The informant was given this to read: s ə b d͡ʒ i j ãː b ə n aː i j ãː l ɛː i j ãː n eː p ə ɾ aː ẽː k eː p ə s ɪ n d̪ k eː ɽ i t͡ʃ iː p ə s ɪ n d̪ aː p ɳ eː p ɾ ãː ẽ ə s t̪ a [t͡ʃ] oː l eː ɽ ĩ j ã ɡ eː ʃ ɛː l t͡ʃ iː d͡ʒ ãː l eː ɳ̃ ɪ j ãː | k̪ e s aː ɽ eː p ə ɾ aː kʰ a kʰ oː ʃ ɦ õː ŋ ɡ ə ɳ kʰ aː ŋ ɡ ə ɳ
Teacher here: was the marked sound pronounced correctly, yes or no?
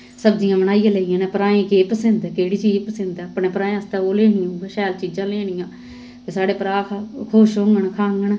no